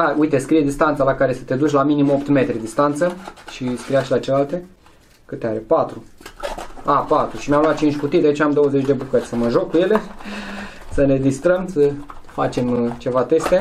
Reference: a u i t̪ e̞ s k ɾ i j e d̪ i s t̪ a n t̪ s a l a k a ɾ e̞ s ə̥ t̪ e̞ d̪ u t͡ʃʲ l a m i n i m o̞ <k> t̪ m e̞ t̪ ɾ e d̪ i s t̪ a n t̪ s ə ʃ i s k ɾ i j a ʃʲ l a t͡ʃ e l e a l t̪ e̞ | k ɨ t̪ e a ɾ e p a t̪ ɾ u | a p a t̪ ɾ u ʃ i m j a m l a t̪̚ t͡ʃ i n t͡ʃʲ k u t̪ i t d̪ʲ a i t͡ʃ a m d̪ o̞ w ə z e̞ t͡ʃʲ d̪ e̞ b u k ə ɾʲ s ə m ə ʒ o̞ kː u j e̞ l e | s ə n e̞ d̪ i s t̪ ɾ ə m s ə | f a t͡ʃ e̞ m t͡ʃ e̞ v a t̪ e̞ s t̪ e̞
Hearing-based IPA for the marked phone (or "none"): p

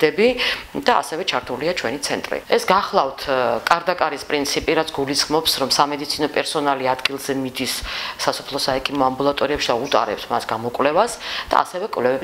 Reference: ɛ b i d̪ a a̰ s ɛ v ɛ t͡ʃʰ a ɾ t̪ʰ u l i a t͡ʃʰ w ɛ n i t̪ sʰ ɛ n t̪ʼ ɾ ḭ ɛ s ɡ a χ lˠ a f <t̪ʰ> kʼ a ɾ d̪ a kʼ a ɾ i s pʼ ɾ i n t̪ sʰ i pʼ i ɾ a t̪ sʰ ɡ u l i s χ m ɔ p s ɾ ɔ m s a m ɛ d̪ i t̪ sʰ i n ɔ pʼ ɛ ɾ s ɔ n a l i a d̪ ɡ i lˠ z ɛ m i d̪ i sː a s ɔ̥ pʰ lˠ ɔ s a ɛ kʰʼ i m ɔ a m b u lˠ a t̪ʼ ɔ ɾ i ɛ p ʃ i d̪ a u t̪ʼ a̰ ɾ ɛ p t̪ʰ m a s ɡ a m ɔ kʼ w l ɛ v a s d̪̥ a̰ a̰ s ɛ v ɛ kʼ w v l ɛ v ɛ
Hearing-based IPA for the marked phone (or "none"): t̪ʰ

